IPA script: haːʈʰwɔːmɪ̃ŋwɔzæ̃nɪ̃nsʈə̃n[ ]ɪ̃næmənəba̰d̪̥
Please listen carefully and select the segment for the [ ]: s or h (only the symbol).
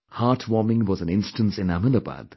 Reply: s